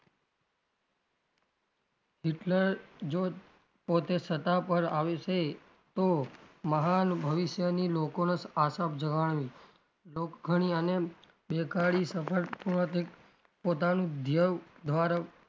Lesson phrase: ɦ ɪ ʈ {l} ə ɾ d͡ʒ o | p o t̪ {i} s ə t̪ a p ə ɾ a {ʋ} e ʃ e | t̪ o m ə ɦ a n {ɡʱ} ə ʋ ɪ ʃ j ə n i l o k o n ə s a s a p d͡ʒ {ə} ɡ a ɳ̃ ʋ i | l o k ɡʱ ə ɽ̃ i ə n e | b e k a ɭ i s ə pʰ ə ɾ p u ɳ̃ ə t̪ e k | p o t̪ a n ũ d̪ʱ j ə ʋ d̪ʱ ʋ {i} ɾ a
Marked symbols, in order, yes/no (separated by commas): yes, no, yes, no, yes, no